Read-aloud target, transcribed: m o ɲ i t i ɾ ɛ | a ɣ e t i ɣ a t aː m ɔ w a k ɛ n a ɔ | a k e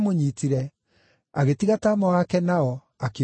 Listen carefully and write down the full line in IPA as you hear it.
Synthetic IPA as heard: m o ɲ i t i ɾ ɛ | a ɣ e t i ɣ a t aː m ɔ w a k ɛ n a ɔ | a k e